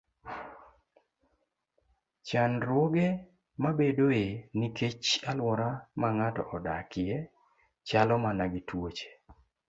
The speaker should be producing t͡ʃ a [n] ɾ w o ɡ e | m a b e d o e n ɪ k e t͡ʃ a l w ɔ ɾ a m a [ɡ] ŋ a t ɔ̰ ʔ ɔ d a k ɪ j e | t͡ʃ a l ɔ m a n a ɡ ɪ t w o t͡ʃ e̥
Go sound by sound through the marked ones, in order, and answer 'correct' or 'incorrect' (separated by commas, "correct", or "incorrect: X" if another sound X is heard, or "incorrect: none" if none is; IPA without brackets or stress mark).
correct, incorrect: none